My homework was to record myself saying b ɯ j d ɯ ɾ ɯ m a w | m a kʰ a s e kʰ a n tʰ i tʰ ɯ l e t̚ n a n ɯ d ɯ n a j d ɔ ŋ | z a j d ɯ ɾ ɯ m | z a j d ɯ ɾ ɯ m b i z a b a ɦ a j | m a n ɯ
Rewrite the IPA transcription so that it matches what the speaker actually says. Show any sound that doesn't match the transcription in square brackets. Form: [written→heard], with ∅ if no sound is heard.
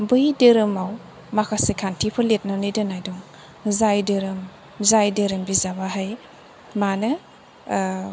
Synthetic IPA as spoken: b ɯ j d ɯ ɾ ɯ m a w | m a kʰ a s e kʰ a n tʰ i [tʰ→pʰ] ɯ l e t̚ n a n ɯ d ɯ n a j d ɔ ŋ | z a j d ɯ ɾ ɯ m | z a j d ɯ ɾ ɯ m b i z a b a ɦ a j | m a n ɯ

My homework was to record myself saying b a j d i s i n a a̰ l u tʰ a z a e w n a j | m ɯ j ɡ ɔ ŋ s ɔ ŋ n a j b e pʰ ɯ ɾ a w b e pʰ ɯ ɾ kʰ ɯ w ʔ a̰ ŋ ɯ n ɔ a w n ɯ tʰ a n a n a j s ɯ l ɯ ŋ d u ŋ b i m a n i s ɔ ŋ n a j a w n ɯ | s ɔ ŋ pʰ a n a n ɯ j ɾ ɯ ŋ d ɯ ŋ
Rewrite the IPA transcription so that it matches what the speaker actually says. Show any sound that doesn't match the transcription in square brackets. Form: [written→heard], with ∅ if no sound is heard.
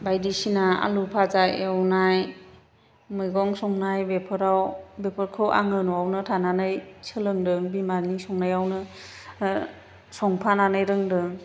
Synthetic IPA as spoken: b a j d i s i n a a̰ l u [tʰ→pʰ] a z a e w n a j | m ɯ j ɡ ɔ ŋ s ɔ ŋ n a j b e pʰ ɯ ɾ a w b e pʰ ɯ ɾ kʰ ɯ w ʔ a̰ ŋ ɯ n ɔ a w n ɯ tʰ a n a n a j s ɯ l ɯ ŋ d [u→ɯ] ŋ b i m a n i s ɔ ŋ n a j a w n ɯ | s ɔ ŋ pʰ a n a n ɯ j ɾ ɯ ŋ d ɯ ŋ

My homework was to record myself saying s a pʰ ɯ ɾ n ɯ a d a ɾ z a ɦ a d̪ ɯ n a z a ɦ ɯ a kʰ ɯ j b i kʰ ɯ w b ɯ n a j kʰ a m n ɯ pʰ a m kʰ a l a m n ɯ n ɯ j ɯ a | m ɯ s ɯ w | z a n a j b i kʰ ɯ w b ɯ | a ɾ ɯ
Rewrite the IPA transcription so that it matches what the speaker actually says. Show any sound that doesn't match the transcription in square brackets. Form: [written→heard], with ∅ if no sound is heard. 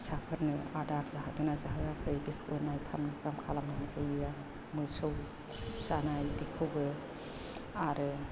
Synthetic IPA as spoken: s a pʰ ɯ ɾ n ɯ a d a ɾ z a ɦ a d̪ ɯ n a z a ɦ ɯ a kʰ ɯ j b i kʰ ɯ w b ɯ n a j [kʰ→pʰ] a m n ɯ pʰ a m kʰ a l a m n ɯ n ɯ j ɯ a | m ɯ s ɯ w | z a n a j b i kʰ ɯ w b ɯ | a ɾ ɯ

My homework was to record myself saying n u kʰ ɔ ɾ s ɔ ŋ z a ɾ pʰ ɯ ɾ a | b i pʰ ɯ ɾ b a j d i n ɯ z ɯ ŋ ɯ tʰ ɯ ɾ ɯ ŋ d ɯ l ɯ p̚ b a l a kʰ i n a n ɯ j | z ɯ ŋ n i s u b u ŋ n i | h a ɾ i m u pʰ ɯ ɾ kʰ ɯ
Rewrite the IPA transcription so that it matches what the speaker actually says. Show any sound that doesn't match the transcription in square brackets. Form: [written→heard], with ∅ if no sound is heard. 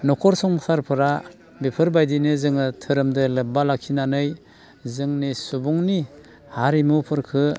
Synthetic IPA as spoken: n [u→ɔ] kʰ ɔ ɾ s ɔ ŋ [z→s] a ɾ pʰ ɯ ɾ a | b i pʰ ɯ ɾ b a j d i n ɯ z ɯ ŋ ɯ tʰ ɯ ɾ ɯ [ŋ→m] d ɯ l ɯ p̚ b a l a kʰ i n a n ɯ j | z ɯ ŋ n i s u b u ŋ n i | h a ɾ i m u pʰ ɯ ɾ kʰ ɯ

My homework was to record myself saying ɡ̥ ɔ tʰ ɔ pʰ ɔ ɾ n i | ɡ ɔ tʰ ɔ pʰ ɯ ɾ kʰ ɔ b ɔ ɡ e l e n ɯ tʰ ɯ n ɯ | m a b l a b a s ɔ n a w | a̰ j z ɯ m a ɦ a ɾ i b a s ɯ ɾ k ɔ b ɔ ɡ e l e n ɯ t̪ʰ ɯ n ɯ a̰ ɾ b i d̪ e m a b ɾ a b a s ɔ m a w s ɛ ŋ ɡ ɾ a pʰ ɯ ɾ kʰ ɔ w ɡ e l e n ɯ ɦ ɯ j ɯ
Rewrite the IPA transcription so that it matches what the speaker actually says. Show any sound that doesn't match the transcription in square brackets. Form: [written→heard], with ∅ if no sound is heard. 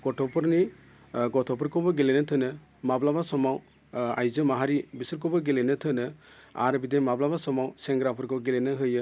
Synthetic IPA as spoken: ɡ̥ ɔ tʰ ɔ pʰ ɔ ɾ n i | ɡ ɔ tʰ ɔ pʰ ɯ ɾ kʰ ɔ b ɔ ɡ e l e n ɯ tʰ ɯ n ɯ | m a b l a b a s ɔ [n→m] a w | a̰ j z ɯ m a ɦ a ɾ i b [a→i] s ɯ ɾ k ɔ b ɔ ɡ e l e n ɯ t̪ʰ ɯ n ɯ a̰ ɾ b i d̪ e m a b [ɾ→l] a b a s ɔ m a w s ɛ ŋ ɡ ɾ a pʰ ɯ ɾ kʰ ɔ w ɡ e l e n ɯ ɦ ɯ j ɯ

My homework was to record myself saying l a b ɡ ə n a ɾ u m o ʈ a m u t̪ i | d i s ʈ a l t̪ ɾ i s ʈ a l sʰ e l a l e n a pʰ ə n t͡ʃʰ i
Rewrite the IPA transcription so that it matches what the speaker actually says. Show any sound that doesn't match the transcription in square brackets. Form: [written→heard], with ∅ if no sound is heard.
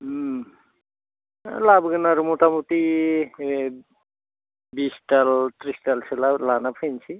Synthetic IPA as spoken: l a b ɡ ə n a ɾ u m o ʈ a m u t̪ i | [d→b] i s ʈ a l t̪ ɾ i s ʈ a l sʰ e l a l [e→a] n a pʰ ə n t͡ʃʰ i

